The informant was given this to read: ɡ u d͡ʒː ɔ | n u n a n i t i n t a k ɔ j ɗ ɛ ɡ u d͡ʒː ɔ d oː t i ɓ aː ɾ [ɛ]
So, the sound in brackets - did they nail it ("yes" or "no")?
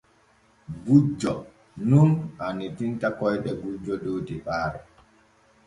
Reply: yes